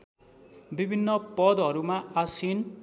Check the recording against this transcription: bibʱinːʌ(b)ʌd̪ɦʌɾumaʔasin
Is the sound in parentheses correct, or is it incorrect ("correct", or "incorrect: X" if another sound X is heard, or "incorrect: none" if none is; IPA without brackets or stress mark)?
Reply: incorrect: p